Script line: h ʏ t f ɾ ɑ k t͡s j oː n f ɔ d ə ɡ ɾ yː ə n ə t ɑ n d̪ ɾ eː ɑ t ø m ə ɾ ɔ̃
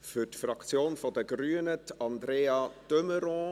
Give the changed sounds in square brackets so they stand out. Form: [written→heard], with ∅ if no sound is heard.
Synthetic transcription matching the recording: [h→f] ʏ t f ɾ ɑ k t͡s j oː n f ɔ d ə ɡ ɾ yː ə n ə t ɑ n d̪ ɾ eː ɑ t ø m ə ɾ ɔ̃